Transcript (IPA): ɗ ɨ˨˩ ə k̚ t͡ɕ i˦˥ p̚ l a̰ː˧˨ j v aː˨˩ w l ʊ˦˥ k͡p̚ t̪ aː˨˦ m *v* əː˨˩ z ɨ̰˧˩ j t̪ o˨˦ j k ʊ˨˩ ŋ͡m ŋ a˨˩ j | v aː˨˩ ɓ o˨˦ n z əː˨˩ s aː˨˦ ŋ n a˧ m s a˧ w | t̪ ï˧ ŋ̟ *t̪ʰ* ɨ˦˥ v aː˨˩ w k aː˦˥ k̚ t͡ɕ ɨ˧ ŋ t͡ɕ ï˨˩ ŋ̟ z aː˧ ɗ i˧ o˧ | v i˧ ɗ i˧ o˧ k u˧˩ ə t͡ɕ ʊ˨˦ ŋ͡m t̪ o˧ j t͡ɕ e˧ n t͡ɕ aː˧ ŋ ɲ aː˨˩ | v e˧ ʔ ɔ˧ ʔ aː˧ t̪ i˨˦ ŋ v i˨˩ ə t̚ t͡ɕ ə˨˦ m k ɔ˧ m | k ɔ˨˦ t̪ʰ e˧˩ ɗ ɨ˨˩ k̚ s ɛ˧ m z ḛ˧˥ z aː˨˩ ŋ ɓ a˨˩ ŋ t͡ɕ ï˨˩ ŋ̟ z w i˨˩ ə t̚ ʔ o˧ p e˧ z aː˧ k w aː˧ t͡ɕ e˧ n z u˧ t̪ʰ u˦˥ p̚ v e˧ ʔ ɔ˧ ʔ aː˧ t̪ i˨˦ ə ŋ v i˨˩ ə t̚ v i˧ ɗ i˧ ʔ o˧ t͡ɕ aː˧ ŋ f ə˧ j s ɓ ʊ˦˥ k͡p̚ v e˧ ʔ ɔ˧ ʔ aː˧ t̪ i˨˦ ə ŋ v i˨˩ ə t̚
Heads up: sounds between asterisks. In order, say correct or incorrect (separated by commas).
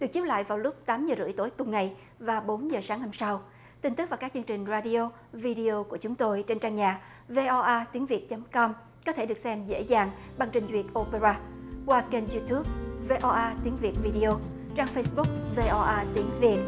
incorrect, incorrect